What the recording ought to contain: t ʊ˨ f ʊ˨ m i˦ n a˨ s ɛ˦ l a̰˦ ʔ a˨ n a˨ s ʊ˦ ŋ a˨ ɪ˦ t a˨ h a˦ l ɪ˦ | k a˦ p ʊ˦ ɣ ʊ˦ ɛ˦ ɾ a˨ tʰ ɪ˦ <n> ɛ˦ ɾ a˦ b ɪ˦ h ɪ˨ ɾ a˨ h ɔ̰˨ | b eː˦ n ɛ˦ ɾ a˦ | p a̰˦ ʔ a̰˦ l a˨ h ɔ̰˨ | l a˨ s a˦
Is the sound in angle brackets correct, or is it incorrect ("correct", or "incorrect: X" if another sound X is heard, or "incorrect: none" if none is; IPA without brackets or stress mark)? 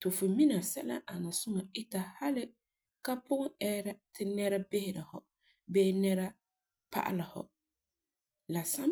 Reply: correct